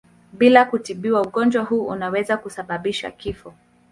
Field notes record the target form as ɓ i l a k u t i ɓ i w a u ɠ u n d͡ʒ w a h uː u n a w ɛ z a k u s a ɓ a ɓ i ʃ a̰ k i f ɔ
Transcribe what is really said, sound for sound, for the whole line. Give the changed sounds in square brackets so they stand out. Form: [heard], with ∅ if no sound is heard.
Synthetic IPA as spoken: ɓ i l a k u t i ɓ i w a u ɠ [ɔ] n d͡ʒ w a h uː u n a w ɛ z a k u s a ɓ a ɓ i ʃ a̰ k i f ɔ